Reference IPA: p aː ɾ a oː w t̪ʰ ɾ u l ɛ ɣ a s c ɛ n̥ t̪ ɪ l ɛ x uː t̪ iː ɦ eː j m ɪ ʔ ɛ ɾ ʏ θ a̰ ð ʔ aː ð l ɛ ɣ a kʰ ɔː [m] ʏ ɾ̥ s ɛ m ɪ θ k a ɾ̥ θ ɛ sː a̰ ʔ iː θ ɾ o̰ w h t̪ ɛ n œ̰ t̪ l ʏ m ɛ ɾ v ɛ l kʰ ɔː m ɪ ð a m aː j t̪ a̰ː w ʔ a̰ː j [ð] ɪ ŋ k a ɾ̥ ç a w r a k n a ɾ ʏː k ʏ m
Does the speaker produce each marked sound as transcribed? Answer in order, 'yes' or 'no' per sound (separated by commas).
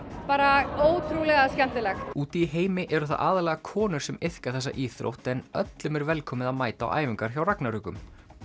no, no